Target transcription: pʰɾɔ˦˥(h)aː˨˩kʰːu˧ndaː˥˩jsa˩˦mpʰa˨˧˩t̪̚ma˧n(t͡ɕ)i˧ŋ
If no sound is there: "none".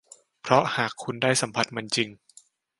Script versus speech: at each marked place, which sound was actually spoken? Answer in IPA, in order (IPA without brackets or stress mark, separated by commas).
h, t͡ɕ